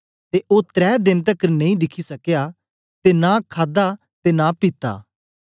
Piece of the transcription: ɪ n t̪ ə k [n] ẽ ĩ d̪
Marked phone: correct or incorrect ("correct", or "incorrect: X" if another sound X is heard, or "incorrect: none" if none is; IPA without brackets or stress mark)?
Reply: correct